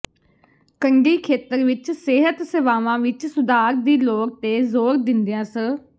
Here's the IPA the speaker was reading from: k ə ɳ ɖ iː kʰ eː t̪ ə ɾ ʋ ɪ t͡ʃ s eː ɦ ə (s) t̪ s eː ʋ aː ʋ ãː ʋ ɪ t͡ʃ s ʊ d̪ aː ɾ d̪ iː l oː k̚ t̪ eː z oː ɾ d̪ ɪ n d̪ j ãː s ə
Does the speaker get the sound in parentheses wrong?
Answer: yes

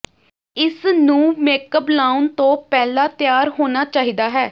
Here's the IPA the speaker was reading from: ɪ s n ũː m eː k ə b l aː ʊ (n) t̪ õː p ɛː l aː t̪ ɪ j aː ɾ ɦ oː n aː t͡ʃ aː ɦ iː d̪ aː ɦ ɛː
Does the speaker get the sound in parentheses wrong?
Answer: no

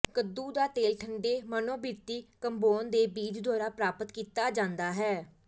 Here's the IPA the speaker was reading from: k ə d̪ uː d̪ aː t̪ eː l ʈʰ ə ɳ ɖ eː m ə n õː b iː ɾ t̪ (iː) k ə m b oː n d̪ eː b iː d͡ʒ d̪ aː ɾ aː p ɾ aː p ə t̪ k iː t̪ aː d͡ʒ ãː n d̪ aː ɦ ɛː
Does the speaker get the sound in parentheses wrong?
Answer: no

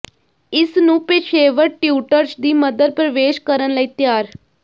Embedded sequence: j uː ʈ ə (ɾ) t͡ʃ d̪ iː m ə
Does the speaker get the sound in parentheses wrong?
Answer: no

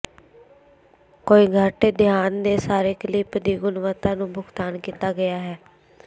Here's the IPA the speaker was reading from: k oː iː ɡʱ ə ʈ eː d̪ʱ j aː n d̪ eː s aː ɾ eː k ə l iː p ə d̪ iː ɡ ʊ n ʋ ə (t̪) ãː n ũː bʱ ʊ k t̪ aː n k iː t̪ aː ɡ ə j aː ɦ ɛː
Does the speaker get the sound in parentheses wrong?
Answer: no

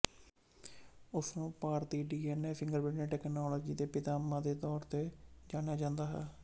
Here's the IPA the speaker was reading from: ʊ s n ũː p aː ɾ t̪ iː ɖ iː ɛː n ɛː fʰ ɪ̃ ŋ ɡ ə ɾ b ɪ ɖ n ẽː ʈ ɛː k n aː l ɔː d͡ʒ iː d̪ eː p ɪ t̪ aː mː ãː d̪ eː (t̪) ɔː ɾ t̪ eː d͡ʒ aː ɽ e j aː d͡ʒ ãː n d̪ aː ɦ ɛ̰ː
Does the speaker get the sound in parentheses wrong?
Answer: no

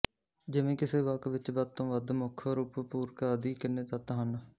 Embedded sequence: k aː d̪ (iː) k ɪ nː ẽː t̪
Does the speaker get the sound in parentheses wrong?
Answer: no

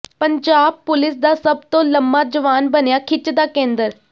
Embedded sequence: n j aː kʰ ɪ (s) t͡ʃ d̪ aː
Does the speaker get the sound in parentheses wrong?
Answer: yes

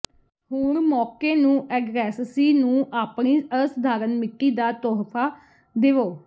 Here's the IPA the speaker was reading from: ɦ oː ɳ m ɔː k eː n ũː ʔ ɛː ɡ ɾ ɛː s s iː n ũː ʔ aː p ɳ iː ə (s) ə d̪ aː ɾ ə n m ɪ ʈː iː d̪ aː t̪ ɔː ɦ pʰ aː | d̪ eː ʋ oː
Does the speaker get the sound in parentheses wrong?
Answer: no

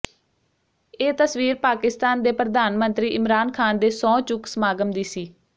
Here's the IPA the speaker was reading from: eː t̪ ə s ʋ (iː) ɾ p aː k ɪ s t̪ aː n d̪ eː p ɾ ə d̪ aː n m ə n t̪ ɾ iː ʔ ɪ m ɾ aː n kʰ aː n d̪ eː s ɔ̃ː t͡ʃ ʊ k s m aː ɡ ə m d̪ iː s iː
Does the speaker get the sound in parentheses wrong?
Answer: no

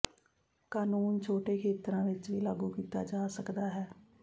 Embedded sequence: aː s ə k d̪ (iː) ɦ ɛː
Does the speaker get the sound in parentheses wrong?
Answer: yes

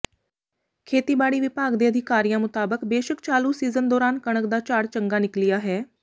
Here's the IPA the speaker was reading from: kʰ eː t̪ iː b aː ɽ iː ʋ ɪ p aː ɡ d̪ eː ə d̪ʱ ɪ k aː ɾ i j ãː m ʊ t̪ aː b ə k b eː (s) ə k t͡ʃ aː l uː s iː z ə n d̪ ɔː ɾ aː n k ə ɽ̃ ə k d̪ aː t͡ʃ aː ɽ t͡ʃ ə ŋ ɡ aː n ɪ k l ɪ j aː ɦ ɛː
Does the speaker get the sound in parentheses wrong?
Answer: yes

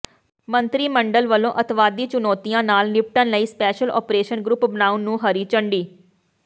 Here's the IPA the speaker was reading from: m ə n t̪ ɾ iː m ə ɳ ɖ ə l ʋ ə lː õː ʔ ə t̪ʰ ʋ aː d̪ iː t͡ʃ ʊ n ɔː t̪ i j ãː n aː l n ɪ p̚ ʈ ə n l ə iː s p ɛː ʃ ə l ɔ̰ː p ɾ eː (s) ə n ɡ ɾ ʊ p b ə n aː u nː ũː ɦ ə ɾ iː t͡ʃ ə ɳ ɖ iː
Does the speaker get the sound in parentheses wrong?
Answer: yes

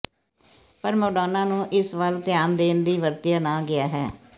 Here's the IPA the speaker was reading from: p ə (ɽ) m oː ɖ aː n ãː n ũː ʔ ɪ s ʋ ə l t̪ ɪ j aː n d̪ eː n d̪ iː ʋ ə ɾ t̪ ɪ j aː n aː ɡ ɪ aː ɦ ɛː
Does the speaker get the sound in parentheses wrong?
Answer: yes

